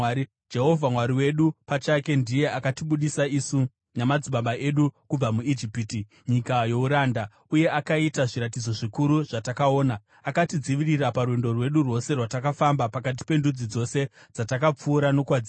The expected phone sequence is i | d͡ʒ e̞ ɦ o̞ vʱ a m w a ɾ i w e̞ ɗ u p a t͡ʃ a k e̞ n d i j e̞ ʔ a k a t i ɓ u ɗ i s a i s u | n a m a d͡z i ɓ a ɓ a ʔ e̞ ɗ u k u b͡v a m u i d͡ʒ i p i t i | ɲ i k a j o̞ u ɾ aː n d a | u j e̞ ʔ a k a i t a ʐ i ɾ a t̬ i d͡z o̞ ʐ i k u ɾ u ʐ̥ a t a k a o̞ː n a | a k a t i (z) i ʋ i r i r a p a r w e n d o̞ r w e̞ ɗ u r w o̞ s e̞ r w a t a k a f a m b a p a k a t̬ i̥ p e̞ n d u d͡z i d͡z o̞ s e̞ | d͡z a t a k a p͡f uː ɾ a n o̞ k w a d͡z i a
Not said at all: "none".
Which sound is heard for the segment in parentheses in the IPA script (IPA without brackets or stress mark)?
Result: d͡z